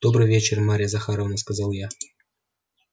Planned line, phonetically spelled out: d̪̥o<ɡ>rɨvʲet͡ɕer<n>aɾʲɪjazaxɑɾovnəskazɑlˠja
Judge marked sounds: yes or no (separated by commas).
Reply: no, no